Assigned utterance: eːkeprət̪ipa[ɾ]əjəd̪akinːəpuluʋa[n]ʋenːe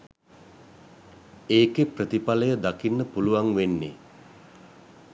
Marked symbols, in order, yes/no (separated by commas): no, no